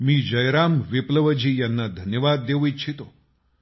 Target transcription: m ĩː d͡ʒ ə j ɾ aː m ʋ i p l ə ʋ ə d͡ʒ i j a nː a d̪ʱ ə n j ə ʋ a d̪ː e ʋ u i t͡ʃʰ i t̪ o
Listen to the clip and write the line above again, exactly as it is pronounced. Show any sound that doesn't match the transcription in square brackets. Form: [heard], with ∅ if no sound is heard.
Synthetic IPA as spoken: m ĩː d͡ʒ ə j ɾ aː m ʋ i p l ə ʋ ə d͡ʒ i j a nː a d̪ʱ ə n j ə ʋ a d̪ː e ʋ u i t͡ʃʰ i t̪ o